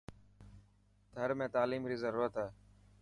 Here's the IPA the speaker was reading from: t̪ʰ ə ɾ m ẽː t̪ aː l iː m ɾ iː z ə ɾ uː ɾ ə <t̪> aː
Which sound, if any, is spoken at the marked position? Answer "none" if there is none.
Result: t̪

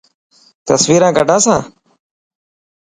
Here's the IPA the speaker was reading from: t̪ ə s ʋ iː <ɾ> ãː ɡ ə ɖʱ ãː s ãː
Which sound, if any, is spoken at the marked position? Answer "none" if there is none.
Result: ɾ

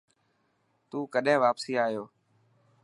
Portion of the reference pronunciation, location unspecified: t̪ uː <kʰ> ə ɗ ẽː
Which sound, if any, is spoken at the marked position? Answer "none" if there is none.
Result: k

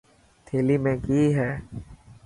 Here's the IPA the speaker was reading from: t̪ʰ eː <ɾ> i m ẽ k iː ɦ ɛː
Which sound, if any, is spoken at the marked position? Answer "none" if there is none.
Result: l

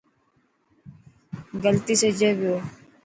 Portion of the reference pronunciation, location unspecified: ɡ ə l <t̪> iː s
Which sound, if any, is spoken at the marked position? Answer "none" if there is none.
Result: t̪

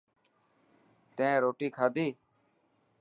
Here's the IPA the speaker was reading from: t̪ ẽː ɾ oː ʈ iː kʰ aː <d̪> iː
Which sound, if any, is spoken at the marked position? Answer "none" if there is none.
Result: d̪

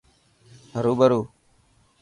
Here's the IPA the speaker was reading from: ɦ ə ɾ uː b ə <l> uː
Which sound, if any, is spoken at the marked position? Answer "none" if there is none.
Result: ɾ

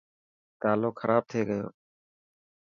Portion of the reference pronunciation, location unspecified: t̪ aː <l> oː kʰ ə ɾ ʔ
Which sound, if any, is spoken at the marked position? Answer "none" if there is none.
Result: l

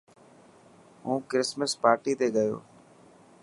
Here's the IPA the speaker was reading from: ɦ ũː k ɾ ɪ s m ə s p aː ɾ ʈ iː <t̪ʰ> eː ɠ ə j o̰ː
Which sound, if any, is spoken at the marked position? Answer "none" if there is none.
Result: t̪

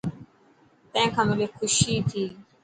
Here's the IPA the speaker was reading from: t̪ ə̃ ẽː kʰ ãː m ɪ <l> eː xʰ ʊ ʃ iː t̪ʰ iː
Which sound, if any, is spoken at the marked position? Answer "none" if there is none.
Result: l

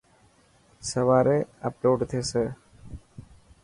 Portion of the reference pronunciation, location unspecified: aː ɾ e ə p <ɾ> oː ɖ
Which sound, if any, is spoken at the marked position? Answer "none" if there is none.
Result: l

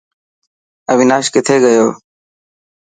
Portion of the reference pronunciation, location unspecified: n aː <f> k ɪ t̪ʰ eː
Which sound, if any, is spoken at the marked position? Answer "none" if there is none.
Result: ʃ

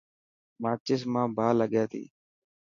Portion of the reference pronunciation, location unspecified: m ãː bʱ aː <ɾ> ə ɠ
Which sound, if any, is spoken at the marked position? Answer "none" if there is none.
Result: l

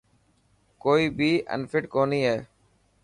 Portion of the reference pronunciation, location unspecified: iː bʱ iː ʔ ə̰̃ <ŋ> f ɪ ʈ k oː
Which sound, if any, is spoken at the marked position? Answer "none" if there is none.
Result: n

